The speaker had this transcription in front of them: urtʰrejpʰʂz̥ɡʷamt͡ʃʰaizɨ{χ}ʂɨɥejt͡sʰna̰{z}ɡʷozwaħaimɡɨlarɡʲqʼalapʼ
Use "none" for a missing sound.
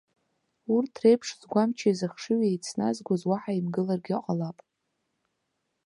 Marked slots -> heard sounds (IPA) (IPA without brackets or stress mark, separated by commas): χ, z